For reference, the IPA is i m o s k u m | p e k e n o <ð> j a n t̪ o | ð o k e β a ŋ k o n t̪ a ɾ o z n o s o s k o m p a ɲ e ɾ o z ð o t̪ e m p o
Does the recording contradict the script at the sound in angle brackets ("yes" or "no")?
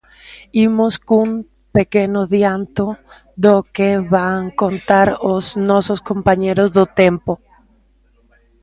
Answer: no